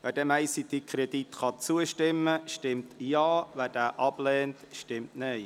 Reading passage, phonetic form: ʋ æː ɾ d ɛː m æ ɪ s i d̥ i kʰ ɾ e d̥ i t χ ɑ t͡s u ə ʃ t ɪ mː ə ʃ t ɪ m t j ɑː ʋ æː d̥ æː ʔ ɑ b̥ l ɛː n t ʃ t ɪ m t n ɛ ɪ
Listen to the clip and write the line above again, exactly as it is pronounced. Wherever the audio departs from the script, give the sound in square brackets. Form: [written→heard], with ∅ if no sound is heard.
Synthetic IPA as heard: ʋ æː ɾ d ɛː m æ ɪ s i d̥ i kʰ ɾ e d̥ i t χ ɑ t͡s u ə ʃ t ɪ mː ə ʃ t ɪ m t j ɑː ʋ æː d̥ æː ʔ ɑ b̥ l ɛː n t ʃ t ɪ m t n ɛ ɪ

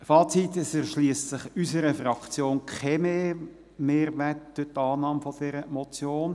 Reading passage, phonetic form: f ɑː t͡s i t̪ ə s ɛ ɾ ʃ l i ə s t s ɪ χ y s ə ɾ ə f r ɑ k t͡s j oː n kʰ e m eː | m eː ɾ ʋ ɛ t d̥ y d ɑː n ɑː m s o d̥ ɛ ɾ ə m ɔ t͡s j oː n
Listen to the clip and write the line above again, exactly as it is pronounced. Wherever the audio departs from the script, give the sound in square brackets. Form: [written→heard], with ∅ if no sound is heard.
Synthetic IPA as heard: f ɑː t͡s i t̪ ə s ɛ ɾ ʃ l i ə s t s ɪ χ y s ə ɾ ə f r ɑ k t͡s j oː n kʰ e m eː | m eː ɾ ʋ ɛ t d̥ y [d→t] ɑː n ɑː m [s→f] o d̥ ɛ ɾ ə m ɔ t͡s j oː n

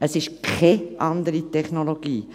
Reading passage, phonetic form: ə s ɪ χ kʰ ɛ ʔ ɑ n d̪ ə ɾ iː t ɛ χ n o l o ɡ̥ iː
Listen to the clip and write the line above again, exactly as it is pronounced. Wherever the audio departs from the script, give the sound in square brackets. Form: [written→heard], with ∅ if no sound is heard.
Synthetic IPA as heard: ə s ɪ [χ→ʃ] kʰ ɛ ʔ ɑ n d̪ ə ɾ [iː→i] t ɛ χ n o l o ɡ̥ iː

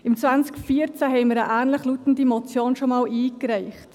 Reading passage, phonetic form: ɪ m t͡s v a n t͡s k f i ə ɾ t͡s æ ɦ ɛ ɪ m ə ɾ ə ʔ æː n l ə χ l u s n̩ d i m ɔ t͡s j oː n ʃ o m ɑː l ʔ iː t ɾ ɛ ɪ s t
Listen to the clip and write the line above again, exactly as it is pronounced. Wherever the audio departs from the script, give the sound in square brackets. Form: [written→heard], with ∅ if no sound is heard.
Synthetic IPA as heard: ɪ m t͡s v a n t͡s k f i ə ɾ t͡s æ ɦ ɛ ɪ m ə ɾ ə ʔ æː n l ə χ l u [s→t] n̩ d i m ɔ t͡s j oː n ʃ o m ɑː l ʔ iː [t→k] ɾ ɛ ɪ [s→χ] t

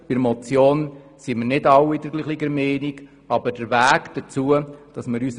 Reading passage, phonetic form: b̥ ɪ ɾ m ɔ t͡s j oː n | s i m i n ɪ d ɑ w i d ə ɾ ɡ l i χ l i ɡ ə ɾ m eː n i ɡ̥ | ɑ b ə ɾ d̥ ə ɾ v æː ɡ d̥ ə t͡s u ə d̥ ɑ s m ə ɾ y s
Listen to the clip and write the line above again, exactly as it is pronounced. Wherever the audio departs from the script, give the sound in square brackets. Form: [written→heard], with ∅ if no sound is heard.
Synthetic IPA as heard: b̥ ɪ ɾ m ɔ t͡s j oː n | s i m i n ɪ d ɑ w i d ə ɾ ɡ l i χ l i ɡ ə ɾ m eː n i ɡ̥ | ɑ b ə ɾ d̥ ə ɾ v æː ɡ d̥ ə t͡s u ə d̥ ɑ s m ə ɾ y s

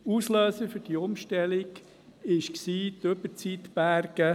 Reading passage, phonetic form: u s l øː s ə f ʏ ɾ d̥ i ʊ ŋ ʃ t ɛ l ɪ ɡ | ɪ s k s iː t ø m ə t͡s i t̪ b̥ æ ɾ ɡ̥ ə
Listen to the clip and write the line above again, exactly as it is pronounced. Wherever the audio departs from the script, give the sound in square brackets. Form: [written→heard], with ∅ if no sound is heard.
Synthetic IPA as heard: u s l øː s ə f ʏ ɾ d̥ i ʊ [ŋ→m] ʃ t ɛ l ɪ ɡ | ɪ [s→ʃ] k s iː t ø [m→b] ə t͡s i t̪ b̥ æ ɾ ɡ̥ ə

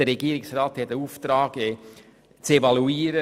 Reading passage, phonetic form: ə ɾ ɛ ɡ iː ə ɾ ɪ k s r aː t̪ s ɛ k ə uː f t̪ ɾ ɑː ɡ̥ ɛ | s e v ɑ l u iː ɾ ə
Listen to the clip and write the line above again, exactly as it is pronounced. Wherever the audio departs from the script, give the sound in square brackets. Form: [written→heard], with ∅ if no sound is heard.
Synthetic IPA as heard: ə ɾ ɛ ɡ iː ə ɾ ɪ k s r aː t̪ [s→h] ɛ [k→t] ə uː f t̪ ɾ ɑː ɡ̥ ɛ | [s→t͡s] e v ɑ l u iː ɾ ə

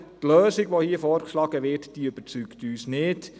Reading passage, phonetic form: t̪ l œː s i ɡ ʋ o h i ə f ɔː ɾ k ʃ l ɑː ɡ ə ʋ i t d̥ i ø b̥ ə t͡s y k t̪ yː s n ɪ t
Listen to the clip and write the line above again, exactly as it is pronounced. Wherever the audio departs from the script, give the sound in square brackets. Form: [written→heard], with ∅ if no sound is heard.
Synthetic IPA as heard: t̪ l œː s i ɡ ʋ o h i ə f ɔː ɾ k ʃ l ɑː ɡ ə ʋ [i→ɪ] t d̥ i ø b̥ ə t͡s y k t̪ yː s n ɪ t

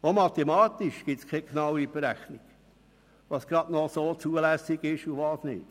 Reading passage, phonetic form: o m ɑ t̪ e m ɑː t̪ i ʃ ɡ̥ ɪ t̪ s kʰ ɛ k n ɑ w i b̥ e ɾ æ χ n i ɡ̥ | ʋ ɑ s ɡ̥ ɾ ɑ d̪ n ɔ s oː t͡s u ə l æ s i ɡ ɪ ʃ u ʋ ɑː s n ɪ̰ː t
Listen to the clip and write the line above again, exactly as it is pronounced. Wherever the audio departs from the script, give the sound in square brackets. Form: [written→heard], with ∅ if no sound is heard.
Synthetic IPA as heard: o m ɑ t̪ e m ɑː t̪ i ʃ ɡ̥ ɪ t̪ s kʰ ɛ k n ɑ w i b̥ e ɾ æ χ n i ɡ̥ | ʋ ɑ s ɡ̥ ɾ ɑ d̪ n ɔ s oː t͡s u ə l æ s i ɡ ɪ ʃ u ʋ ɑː s n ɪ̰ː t

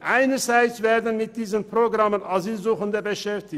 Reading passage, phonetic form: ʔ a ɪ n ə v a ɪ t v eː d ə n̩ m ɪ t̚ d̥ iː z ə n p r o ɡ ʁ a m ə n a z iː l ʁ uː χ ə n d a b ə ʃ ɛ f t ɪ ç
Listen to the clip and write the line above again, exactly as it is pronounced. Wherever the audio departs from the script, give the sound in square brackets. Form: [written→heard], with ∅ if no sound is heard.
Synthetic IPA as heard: ʔ a ɪ n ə [v→z] a ɪ [t→t͡s] v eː d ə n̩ m ɪ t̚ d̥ iː z ə n p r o ɡ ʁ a m ə n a z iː l [ʁ→z] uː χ ə n d [a→ə] b ə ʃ ɛ f t ɪ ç

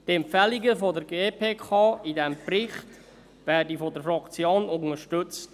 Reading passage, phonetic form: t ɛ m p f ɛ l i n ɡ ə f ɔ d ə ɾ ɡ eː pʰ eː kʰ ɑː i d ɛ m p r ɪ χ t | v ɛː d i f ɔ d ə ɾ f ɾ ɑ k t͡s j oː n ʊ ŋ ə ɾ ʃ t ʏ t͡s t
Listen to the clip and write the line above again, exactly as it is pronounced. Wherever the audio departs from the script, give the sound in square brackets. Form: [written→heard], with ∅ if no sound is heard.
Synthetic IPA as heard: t ɛ m p f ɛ l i [n→∅] ɡ ə f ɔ d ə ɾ ɡ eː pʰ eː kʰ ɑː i d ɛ m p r ɪ χ t | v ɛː d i f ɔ d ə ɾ f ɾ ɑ k t͡s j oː n ʊ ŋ ə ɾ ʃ t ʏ t͡s t

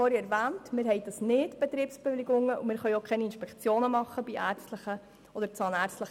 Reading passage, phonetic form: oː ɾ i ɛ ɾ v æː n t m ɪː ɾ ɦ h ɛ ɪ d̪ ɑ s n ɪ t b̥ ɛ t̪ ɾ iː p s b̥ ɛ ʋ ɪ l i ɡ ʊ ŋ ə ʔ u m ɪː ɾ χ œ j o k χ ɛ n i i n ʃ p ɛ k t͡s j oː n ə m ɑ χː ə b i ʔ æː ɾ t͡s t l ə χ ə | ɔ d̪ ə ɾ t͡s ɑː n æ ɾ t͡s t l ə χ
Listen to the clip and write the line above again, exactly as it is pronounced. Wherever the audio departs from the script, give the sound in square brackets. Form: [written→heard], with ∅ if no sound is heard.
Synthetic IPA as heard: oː ɾ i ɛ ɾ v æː n t m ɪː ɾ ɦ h ɛ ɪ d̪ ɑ s n ɪ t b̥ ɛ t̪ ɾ iː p s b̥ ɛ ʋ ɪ l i ɡ ʊ ŋ ə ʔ u m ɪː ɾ χ œ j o k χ ɛ n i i n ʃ p ɛ k t͡s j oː n ə m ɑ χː ə b i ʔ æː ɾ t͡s t l ə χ ə | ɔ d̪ ə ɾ t͡s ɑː n æ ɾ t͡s t l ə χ

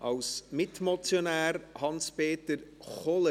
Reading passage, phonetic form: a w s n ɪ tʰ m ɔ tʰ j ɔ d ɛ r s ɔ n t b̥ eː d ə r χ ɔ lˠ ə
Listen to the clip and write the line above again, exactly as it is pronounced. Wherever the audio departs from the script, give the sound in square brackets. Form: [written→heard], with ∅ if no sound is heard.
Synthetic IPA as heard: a w s [n→m] ɪ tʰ m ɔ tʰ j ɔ [d→n] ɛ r [s→h] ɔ n [t→s] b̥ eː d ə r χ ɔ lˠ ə

